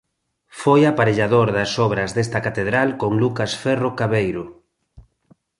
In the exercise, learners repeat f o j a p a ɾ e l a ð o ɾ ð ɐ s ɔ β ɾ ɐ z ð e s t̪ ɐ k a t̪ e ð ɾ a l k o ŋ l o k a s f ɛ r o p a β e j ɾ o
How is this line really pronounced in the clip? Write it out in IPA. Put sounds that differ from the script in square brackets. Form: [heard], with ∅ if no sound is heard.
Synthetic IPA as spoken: f o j a p a ɾ e [ʎ] a ð o ɾ ð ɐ s ɔ β ɾ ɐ z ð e s t̪ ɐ k a t̪ e ð ɾ a l k o ŋ l [u] k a s f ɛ r o [k] a β e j ɾ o